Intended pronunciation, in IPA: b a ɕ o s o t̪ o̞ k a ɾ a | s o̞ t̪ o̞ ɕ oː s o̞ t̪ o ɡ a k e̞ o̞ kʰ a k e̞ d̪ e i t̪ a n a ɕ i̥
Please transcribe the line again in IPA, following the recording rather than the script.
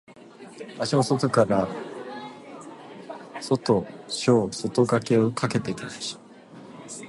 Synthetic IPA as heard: b a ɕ o s o t̪ o̞ k a ɾ a | s o̞ t̪ o̞ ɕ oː s o̞ t̪ o ɡ a k e̞ o̞ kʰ a k e̞ t̪ e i t̪ a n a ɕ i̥